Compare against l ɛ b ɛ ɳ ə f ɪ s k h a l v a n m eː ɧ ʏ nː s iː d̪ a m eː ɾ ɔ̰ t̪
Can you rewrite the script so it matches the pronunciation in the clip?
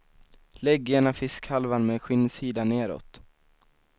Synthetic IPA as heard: l ɛ ɡ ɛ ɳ a f ɪ s k h a l v a n m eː ɧ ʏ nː s iː d̪ a n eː ɾ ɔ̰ t̪

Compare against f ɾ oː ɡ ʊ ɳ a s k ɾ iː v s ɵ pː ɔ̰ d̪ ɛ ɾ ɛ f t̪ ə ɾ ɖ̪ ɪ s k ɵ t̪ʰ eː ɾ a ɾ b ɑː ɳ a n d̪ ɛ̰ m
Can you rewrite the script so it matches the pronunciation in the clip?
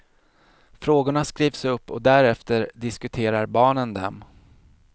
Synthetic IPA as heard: f ɾ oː ɡ ʊ ɳ a s k ɾ iː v s ɵ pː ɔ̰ d̪ æ ɾ ɛ f t̪ ə ɾ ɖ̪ ɪ s k ɵ t̪ʰ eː ɾ a ɾ b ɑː ɳ ə n d̪ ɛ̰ m

